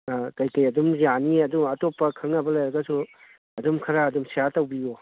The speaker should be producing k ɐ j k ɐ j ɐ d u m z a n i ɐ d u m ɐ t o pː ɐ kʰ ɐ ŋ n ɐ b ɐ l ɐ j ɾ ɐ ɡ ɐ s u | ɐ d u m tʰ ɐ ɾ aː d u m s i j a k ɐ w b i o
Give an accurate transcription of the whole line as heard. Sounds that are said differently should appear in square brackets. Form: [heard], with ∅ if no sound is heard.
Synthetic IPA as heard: k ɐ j k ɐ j ɐ d u m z a n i ɐ d u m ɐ t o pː ɐ kʰ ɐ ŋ n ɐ b ɐ l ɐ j ɾ ɐ ɡ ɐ s u | ɐ d u m [kʰ] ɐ ɾ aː d u m s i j a [t] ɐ w b i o